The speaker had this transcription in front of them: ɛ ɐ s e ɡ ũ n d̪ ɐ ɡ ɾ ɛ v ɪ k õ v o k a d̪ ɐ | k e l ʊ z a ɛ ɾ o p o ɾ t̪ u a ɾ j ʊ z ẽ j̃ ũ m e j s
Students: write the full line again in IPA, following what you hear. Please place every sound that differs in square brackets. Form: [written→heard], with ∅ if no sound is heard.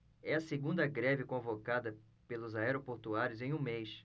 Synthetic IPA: ɛ ɐ s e ɡ ũ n d̪ ɐ ɡ ɾ ɛ v ɪ k õ v o k a d̪ ɐ | [k→p] e l ʊ z a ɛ ɾ o p o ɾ t̪ u a ɾ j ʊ z ẽ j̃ ũ m e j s